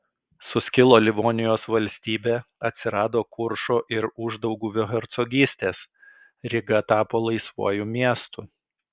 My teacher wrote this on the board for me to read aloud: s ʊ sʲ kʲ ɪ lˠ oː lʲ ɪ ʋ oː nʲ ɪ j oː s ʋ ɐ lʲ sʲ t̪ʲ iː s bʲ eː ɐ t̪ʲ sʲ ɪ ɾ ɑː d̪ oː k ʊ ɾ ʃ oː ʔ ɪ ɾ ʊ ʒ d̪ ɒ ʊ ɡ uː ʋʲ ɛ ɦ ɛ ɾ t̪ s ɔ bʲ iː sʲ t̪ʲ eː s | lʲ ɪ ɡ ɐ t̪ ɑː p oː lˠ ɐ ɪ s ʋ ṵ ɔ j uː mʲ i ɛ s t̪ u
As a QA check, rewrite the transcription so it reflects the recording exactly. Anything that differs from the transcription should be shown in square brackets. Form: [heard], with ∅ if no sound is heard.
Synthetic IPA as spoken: s ʊ sʲ kʲ ɪ lˠ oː lʲ ɪ ʋ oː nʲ ɪ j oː s ʋ ɐ lʲ sʲ t̪ʲ iː [∅] bʲ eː ɐ t̪ʲ sʲ ɪ ɾ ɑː d̪ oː k ʊ ɾ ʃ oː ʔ ɪ ɾ ʊ ʒ d̪ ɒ ʊ ɡ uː ʋʲ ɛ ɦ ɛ ɾ t̪ s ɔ [ɡʲ] iː sʲ t̪ʲ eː s | [ɾʲ] ɪ ɡ ɐ t̪ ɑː p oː lˠ ɐ ɪ s ʋ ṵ ɔ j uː mʲ i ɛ s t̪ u